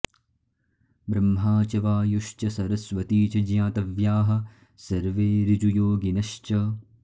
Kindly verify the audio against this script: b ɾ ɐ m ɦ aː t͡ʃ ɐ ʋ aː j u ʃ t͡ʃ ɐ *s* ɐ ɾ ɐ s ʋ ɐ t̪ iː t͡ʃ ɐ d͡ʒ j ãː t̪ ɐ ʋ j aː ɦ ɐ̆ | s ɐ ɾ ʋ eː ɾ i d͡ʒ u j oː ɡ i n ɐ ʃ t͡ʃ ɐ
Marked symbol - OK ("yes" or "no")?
yes